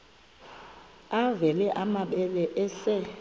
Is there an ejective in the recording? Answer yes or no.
no